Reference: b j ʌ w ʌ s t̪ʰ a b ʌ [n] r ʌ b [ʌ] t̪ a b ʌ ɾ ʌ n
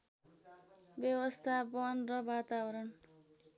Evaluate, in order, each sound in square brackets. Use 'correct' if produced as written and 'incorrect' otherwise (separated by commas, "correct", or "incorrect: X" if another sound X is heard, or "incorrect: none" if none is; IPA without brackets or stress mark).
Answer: correct, incorrect: a